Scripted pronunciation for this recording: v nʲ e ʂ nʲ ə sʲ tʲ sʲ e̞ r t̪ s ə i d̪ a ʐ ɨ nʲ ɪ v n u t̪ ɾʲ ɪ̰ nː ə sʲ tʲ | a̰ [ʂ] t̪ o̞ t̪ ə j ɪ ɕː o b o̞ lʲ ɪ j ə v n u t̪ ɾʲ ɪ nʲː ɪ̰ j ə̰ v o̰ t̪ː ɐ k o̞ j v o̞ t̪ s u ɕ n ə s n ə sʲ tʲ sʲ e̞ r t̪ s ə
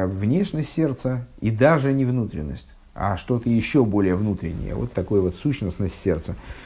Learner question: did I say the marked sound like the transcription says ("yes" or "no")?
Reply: yes